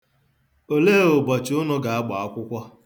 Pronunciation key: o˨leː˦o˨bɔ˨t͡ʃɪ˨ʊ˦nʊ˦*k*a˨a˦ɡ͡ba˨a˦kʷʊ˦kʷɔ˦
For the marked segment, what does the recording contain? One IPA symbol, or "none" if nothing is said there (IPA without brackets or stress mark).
ɡ